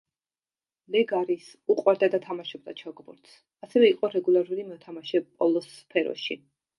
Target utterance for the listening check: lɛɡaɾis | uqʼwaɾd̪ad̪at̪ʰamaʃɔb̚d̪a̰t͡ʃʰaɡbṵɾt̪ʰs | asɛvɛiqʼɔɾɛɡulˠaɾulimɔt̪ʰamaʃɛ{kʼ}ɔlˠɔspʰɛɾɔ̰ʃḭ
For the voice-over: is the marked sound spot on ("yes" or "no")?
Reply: no